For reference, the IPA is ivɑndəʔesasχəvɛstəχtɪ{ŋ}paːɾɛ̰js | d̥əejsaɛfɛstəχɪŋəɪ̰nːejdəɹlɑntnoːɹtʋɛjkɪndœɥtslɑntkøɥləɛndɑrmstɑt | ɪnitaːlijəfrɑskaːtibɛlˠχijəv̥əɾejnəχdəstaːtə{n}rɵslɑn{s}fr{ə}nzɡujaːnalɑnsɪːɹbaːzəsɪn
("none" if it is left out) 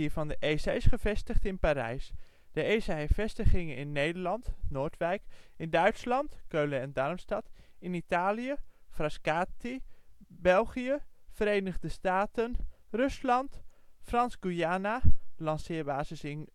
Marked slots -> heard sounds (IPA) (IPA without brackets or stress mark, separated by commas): n, n, t, ɑ